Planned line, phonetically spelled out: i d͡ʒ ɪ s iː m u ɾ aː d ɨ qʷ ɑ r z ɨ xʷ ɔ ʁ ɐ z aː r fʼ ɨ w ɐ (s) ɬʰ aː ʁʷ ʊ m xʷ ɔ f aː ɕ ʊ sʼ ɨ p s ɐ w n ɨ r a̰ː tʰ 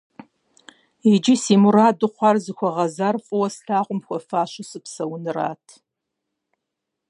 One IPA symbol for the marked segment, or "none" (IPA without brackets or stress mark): s